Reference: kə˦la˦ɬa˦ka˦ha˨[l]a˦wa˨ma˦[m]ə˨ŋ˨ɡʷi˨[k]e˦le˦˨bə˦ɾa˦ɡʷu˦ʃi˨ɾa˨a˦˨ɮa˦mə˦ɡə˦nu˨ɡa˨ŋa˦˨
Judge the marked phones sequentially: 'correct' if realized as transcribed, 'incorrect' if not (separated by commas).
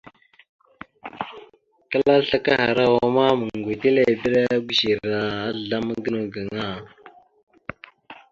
incorrect, correct, incorrect